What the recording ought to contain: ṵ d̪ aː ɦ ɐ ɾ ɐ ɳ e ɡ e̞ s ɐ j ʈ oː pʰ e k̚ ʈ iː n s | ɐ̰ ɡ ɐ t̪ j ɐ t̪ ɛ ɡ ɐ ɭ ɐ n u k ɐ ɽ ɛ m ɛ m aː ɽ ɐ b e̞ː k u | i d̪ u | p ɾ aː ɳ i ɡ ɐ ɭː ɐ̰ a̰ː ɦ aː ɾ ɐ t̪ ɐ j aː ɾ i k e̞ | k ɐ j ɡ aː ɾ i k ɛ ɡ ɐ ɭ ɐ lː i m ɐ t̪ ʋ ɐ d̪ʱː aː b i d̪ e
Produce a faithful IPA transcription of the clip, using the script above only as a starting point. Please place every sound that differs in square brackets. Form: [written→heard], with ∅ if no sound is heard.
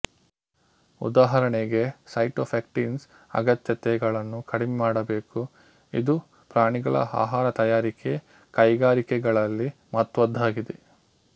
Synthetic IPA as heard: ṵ d̪ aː ɦ ɐ ɾ ɐ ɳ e ɡ e̞ s ɐ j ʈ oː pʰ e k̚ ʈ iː n s | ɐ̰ ɡ ɐ t̪ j ɐ t̪ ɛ ɡ ɐ ɭ ɐ [n→nː] u k ɐ ɽ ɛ m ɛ m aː ɽ ɐ b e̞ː k u | i d̪ u | p ɾ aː ɳ i ɡ ɐ [ɭː→ɭ] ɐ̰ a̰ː ɦ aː ɾ ɐ t̪ ɐ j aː ɾ i k e̞ | k ɐ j ɡ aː ɾ i k ɛ ɡ ɐ ɭ ɐ lː i m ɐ t̪ ʋ ɐ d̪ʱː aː [b→ɡ] i d̪ e